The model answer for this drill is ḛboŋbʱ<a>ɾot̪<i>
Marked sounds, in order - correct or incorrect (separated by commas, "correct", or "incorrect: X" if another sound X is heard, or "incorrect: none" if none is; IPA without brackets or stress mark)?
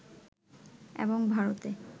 correct, incorrect: e